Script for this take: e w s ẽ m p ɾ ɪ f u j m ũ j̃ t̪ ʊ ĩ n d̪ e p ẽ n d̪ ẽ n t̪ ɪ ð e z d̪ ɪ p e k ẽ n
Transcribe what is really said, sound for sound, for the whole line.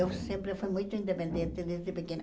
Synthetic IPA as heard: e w s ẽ m p ɾ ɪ f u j m ũ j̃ t̪ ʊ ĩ n d̪ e p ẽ n d̪ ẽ n t̪ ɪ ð e z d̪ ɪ p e k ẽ n

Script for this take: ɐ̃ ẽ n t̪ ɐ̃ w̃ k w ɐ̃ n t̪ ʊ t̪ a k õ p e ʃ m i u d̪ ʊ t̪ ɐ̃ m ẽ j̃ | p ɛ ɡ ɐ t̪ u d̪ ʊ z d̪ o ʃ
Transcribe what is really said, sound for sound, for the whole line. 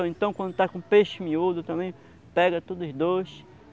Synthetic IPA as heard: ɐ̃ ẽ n t̪ ɐ̃ w̃ k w ɐ̃ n d̪ ʊ t̪ a k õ p e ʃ m i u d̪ ʊ t̪ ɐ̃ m ẽ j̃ | p ɛ ɡ ɐ t̪ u d̪ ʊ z d̪ o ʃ

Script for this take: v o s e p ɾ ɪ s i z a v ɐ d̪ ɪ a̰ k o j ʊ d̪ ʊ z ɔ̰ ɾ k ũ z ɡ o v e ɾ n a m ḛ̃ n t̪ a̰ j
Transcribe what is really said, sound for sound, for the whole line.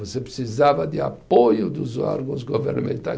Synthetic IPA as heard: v o s e p ɾ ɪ s i z a v ɐ d̪ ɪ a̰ p o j ʊ d̪ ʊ z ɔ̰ ɾ ɡ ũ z ɡ o v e ɾ n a m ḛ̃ n t̪ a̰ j

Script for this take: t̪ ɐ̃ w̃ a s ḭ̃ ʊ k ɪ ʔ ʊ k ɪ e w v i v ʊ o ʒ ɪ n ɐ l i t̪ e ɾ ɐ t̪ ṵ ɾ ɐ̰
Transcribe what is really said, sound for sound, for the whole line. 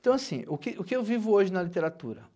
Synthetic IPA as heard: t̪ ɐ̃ w̃ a s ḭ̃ ʊ k ɪ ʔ ʊ k ɪ e w v i v ʊ o ʒ ɪ n ɐ l i t̪ e ɾ a t̪ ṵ ɾ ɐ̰

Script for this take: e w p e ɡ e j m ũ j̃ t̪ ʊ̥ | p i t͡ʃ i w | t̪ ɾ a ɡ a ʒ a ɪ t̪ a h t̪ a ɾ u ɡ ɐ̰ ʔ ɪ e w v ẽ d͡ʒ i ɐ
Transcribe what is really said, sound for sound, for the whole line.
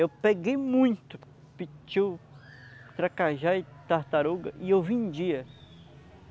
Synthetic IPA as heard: e w p e ɡ e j m ũ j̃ t̪ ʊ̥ | p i t͡ʃ i w | t̪ ɾ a k a ʒ a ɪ t̪ a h t̪ a ɾ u ɡ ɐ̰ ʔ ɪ e w v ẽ d͡ʒ i ɐ

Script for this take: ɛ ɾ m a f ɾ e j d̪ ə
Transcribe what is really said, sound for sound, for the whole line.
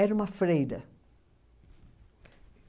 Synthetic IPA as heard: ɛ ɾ m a f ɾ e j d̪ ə

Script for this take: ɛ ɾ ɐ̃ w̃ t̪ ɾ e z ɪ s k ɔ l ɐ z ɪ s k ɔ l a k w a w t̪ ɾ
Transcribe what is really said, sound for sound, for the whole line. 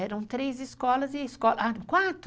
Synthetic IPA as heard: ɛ ɾ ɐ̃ w̃ t̪ ɾ e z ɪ s k ɔ l ɐ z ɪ s k ɔ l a k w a t̪ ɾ

